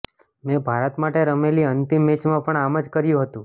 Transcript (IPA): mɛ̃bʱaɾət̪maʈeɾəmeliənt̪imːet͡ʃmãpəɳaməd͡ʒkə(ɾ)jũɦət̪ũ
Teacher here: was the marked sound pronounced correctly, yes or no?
yes